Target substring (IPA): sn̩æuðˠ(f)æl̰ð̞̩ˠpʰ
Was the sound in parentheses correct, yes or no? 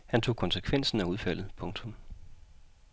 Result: yes